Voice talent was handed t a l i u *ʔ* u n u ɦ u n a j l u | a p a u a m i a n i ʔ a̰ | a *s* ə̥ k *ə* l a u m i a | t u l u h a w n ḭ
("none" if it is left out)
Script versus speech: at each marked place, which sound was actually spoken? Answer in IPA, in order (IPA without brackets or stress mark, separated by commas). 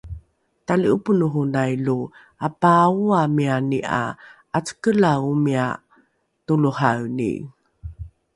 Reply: p, t͡s, ə